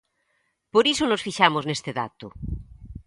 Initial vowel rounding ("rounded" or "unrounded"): rounded